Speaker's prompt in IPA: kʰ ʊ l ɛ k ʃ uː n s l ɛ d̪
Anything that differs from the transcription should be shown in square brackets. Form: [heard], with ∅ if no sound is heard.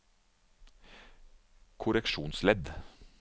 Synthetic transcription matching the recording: kʰ ʊ [ɾ] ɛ k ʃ uː n s l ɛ d̪